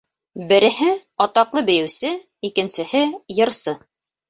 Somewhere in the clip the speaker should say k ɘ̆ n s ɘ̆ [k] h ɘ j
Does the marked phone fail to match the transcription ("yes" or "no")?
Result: yes